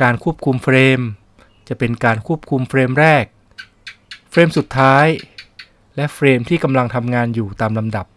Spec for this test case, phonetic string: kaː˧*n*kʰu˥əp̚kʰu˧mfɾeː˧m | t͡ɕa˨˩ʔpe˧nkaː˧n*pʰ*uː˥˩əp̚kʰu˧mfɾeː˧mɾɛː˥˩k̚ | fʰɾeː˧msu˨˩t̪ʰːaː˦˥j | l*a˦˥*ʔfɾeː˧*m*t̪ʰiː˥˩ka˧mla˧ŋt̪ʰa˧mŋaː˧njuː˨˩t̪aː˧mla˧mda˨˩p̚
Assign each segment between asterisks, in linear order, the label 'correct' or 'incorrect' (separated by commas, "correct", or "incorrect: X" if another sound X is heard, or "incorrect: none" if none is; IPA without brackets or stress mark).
correct, incorrect: kʰ, incorrect: ɛ˦˥, correct